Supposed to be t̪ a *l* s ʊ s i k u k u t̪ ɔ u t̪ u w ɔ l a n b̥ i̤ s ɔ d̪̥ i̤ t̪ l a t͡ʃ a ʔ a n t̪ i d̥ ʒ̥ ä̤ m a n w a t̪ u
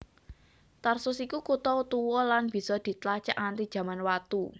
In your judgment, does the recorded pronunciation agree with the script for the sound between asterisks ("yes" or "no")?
no